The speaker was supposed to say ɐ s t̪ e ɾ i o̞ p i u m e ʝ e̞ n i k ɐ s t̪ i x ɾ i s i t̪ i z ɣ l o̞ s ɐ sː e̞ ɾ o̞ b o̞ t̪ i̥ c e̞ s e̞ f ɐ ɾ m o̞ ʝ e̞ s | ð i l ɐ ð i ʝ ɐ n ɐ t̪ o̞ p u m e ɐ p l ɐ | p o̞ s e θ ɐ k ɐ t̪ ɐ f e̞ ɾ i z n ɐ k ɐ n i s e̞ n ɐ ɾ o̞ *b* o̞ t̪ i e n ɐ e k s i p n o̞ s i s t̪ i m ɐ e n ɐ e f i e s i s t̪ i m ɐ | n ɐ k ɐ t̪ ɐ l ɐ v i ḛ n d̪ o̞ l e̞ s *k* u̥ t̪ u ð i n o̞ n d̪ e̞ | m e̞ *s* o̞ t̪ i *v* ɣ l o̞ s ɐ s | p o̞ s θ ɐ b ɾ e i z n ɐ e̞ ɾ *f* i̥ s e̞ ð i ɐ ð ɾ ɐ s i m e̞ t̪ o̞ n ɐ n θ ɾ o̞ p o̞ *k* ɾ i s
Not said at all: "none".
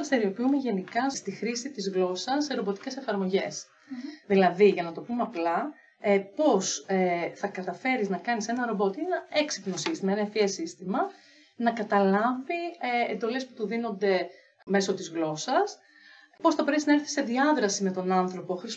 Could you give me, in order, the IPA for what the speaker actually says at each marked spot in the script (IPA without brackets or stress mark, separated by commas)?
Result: b, p, s, z, θ, x